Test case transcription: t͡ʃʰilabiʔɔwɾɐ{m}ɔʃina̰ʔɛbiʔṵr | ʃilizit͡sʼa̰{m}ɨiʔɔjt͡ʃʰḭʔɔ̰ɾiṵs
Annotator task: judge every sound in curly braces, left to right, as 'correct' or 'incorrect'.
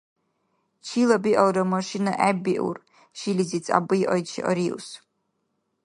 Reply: correct, incorrect: b

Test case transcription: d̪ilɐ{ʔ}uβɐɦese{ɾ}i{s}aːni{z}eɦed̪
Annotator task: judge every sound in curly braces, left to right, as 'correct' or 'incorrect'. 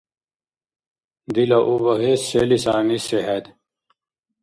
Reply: correct, incorrect: l, correct, incorrect: s

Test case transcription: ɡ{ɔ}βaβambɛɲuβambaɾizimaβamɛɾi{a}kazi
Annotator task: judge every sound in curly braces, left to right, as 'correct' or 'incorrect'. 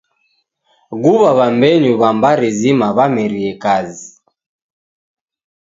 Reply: incorrect: u, incorrect: ɛ

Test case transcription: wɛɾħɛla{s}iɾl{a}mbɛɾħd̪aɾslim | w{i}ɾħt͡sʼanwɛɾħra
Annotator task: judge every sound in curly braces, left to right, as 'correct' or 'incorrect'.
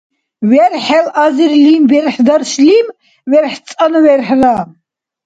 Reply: incorrect: z, incorrect: i, incorrect: ɛ

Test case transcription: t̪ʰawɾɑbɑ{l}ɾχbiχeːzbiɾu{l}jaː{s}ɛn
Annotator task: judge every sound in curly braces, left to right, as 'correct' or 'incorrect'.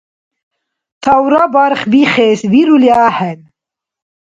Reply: incorrect: none, correct, incorrect: h

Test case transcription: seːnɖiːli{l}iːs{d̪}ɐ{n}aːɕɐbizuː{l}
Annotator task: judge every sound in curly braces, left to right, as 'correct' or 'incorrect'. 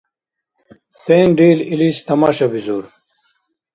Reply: correct, incorrect: t̪, incorrect: m, incorrect: ɾ

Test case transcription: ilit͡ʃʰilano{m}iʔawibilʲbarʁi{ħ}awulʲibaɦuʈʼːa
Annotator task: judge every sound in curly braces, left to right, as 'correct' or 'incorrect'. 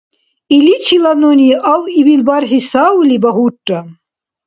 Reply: incorrect: n, incorrect: s

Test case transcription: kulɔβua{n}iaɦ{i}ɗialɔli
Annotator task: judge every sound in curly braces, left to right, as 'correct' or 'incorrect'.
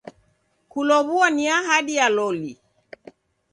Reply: correct, incorrect: a

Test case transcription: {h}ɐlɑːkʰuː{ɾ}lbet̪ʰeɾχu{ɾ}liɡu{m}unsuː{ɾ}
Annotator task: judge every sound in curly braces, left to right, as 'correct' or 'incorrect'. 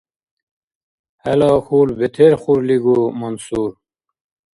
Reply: correct, incorrect: none, correct, correct, correct

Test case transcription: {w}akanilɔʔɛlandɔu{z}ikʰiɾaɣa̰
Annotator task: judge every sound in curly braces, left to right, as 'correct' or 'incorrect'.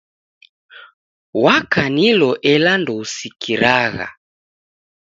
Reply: correct, incorrect: s

